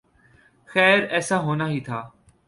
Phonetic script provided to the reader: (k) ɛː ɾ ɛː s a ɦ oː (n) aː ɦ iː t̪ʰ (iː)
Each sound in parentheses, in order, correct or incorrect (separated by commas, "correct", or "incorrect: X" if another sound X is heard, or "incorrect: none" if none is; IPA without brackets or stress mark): incorrect: x, correct, incorrect: aː